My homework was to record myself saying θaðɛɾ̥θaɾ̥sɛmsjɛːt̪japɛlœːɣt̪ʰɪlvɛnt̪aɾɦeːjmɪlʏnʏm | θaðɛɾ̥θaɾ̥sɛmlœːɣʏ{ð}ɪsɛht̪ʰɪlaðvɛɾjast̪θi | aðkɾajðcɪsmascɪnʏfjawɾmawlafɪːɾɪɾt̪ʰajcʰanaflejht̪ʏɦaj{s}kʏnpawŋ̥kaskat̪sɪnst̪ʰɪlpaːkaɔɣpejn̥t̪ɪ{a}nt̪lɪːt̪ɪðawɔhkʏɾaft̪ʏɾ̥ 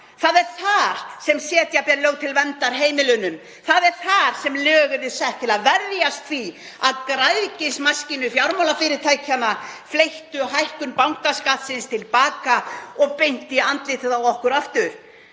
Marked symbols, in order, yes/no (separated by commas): yes, no, yes